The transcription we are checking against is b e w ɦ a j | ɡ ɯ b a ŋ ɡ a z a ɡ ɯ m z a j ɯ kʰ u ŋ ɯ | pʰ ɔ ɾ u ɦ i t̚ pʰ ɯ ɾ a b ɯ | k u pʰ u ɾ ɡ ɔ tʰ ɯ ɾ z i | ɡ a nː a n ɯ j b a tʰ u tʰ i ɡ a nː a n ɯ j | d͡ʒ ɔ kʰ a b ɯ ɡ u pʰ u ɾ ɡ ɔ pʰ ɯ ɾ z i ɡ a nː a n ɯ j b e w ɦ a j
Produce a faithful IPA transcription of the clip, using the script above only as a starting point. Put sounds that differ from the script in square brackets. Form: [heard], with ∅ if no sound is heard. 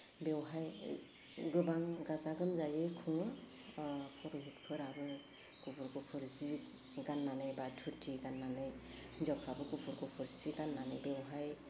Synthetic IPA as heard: b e w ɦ a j | ɡ ɯ b a ŋ ɡ a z a ɡ ɯ m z a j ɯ kʰ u ŋ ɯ | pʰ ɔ ɾ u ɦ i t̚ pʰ ɯ ɾ a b ɯ | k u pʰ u ɾ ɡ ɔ [pʰ] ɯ ɾ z i | ɡ a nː a n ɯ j b a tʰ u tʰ i ɡ a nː a n ɯ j | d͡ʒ ɔ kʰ a b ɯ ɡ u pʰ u ɾ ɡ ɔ pʰ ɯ ɾ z i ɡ a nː a n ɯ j b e w ɦ a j

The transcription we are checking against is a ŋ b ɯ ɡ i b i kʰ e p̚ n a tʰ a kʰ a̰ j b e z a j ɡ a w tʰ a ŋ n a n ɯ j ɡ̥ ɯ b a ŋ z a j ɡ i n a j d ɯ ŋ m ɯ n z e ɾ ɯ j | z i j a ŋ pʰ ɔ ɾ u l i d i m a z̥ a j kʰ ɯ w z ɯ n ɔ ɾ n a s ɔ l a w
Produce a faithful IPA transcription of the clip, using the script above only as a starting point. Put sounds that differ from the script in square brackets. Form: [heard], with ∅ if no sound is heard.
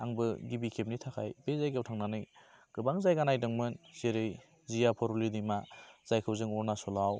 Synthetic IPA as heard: a ŋ b ɯ ɡ i b i kʰ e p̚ n [i] tʰ a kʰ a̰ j b e z a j ɡ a w tʰ a ŋ n a n ɯ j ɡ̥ ɯ b a ŋ z a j ɡ [a] n a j d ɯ ŋ m ɯ n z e ɾ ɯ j | z i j a [∅] pʰ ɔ ɾ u l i d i m a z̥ a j kʰ ɯ w z ɯ [ŋ] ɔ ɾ n a s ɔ l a w

